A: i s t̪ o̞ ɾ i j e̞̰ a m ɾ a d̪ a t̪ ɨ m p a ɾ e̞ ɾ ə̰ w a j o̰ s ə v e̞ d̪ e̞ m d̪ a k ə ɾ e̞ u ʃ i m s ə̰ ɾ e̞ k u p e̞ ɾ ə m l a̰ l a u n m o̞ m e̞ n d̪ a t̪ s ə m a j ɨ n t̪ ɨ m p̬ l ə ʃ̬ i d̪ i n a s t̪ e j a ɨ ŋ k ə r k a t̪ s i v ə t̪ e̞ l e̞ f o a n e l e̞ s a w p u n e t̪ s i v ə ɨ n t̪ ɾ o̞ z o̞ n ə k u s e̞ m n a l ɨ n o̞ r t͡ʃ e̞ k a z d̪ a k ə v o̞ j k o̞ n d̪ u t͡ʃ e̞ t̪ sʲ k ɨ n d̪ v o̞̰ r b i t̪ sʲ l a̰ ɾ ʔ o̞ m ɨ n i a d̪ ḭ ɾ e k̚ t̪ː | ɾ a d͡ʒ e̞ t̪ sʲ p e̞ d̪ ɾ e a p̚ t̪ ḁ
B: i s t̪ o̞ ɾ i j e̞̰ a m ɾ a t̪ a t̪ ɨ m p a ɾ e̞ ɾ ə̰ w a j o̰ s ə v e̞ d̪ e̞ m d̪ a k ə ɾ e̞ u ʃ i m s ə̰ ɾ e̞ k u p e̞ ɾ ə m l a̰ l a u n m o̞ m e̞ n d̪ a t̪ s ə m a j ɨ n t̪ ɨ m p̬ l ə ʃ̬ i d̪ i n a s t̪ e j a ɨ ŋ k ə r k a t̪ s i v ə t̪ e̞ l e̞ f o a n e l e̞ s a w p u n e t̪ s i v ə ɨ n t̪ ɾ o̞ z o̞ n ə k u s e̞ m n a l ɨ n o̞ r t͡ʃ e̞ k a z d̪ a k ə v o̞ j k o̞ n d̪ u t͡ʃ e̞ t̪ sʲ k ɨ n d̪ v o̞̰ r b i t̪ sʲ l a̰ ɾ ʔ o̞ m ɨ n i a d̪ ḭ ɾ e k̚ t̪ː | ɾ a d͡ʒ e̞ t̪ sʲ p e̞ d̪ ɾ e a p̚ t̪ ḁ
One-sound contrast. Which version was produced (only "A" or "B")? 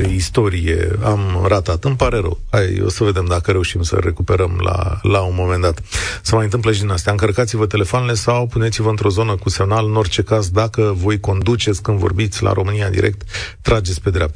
B